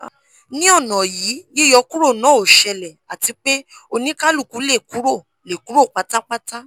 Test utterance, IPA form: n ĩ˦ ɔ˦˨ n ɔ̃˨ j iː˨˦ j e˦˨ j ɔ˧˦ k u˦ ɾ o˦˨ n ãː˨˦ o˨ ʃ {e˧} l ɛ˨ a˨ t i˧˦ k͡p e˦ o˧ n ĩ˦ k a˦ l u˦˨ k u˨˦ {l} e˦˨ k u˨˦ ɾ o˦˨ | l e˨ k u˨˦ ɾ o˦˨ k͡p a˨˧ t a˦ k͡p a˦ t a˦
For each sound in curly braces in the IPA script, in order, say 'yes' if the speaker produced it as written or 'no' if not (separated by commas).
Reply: no, yes